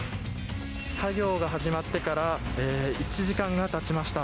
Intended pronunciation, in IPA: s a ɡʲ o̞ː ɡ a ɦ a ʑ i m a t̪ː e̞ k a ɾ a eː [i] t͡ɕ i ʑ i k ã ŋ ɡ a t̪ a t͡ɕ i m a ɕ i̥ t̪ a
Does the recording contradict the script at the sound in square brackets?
no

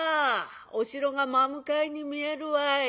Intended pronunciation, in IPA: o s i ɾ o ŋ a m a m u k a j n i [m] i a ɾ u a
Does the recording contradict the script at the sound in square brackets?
no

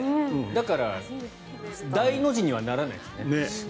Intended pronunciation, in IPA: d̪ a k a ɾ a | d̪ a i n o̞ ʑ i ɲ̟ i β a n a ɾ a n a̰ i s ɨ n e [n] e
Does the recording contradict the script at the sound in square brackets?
no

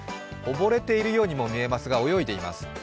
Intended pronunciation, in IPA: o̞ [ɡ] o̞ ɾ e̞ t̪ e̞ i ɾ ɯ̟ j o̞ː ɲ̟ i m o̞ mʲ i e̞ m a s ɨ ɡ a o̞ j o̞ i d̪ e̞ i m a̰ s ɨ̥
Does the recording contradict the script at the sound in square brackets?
yes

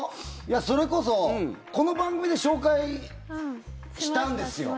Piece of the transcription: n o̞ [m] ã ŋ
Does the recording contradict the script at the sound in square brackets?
yes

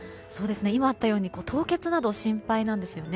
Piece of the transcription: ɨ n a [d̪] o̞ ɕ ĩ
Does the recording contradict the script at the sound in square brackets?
no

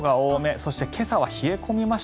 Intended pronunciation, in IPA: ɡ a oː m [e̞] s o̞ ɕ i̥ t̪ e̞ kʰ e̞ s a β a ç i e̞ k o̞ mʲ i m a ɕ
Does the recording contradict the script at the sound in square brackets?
no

